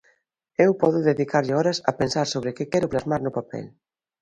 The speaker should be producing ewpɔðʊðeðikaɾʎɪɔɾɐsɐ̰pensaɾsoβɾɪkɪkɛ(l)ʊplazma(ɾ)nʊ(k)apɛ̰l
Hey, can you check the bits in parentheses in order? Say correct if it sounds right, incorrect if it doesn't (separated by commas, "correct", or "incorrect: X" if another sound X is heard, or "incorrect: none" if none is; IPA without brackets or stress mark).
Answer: incorrect: ɾ, correct, incorrect: p